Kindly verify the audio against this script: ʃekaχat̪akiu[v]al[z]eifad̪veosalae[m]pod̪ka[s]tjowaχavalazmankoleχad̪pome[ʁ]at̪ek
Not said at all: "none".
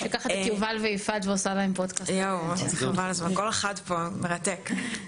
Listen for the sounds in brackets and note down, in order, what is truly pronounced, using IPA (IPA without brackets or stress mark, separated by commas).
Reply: v, v, m, s, ʁ